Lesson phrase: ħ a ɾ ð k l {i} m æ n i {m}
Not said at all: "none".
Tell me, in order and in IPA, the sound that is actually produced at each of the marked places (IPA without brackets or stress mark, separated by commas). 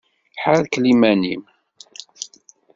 i, m